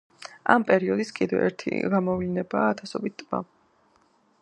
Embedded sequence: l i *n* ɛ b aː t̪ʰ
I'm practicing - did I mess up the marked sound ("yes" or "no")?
no